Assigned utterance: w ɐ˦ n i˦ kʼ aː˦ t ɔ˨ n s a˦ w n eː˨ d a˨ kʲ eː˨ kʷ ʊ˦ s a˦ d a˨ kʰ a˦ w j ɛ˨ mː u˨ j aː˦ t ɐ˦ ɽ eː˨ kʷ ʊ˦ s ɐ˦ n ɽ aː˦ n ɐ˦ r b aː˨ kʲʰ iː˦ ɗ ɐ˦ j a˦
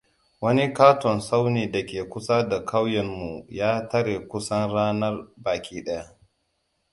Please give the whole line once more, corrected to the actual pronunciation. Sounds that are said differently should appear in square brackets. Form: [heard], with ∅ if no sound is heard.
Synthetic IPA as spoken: w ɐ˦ n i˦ [k] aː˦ t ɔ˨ n s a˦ w n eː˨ d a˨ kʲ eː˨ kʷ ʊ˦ s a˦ d a˨ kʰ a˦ w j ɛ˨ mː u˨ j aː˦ t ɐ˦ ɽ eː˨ kʷ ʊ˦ s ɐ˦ n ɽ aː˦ n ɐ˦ r b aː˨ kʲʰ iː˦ ɗ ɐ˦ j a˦